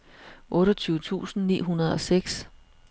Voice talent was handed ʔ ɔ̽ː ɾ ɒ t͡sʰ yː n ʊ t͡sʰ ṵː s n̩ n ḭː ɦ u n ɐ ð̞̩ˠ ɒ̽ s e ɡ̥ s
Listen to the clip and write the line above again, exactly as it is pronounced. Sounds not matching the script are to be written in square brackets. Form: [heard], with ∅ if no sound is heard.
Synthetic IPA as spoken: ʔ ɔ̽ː ɾ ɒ t͡sʰ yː [∅] ʊ t͡sʰ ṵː s n̩ n ḭː ɦ u n ɐ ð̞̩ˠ ɒ̽ s e ɡ̥ s